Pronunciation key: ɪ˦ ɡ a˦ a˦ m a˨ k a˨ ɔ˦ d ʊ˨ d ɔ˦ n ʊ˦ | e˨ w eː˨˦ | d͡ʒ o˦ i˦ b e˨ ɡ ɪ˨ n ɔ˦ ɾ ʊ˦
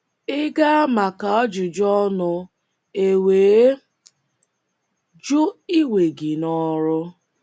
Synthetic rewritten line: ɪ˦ ɡ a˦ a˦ m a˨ k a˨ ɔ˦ d͡ʒ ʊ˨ d͡ʒ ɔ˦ n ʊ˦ | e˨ w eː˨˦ | d͡ʒ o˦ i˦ w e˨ ɡ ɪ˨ n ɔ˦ ɾ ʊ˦